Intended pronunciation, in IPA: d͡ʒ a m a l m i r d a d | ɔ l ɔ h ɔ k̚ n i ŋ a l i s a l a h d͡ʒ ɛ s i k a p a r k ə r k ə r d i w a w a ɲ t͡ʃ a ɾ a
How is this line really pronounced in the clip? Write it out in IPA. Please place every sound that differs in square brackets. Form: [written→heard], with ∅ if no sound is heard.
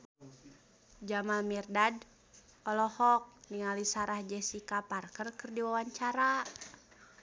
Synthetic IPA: d͡ʒ a m a l m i r d a d | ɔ l ɔ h ɔ k̚ n i ŋ a l i s a [l→ɾ] a h d͡ʒ ɛ s i k a p a r k ə r k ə r d i w a w a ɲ t͡ʃ a ɾ a